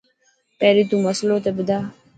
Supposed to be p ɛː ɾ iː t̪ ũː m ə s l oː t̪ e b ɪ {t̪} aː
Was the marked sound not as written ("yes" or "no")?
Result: yes